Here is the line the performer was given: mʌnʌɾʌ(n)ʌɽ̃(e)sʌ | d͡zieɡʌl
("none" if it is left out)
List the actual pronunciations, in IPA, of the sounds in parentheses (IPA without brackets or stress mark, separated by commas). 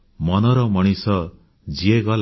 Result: m, i